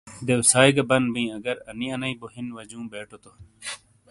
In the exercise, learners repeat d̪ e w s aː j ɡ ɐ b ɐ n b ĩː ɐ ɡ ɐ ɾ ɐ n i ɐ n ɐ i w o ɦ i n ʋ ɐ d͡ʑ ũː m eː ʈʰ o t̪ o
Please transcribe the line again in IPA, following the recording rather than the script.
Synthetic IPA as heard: d̪ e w s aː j ɡ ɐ b ɐ n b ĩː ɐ ɡ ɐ ɾ ɐ n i ɐ n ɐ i b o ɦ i n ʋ ɐ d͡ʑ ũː b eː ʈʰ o t̪ o

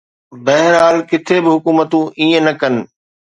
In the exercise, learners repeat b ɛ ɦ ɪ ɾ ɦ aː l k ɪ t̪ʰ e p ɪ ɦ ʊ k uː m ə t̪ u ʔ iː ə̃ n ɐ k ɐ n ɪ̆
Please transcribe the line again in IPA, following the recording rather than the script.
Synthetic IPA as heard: b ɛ ɦ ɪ ɾ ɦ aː l k ɪ t̪ʰ e b ɪ ɦ ʊ k uː m ə t̪ ũ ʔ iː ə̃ n ɐ k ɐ n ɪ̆

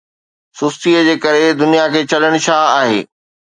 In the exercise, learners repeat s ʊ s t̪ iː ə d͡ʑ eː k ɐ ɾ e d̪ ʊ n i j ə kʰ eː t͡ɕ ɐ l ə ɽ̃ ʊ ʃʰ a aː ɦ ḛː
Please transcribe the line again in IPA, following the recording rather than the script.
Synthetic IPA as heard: s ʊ s t̪ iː ə d͡ʑ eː k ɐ ɾ e d̪ ʊ n i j a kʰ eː t͡ɕ ɐ l ə ɽ̃ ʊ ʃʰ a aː ɦ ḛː

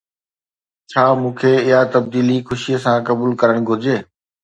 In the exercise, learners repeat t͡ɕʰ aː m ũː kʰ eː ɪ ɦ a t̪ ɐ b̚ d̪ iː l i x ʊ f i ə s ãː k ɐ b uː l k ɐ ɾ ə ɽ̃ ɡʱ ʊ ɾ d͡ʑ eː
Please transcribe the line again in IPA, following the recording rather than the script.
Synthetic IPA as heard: t͡ɕʰ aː m ũː kʰ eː ɪ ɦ a t̪ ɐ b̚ d̪ iː l i x ʊ ʃ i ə s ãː k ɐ b uː l k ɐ ɾ ə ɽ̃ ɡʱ ʊ ɾ d͡ʑ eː

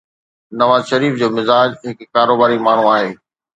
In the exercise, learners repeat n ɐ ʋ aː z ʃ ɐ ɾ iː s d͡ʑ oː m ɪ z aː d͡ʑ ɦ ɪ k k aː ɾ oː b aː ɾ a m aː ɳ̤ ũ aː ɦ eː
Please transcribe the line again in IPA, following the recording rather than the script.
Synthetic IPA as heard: n ɐ ʋ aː z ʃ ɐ ɾ iː f d͡ʑ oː m ɪ z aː d͡ʑ ɦ ɪ k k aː ɾ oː b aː ɾ i m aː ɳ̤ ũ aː ɦ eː

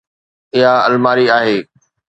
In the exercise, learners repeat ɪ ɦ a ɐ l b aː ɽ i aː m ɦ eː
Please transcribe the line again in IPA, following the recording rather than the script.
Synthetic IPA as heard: ɪ ɦ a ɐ l m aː ɾ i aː ɦ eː

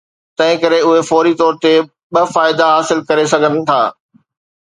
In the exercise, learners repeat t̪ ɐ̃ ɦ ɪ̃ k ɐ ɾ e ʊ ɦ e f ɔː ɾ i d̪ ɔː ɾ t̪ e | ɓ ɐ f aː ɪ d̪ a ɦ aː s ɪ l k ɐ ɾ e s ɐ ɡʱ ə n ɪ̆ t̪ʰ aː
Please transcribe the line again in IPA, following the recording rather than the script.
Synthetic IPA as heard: t̪ ɐ̃ ɦ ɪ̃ k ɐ ɾ e ʊ ɦ e f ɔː ɾ i t̪ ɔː ɾ t̪ e | ɓ ɐ f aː ɪ d̪ a ɦ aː s ɪ l k ɐ ɾ e s ɐ ɡʱ ə n ɪ̆ t̪ʰ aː

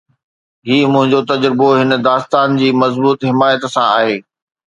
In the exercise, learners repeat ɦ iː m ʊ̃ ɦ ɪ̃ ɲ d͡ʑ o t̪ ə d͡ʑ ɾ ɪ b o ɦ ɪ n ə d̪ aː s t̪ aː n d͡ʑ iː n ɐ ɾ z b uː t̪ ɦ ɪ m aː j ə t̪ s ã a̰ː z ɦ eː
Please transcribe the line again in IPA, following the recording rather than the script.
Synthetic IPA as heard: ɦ iː m ʊ̃ ɦ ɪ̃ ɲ d͡ʑ o t̪ ɐ d͡ʑ ɾ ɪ b o ɦ ɪ n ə d̪ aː s t̪ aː n d͡ʑ iː m ɐ z b uː t̪ ɦ ɪ m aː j ə t̪ s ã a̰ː ɦ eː

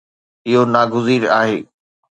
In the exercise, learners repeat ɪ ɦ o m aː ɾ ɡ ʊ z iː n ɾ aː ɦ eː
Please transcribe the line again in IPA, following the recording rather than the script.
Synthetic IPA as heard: ɪ ɦ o n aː ɡ ʊ z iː ɾ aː ɦ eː

